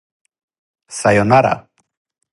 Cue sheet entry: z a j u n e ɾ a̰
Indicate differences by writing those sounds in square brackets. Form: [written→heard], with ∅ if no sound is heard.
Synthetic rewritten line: [z→s] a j [u→o] n [e→a] ɾ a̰